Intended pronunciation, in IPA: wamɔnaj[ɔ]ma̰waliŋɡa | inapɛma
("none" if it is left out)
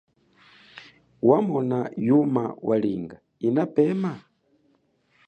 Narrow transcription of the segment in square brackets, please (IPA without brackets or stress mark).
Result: u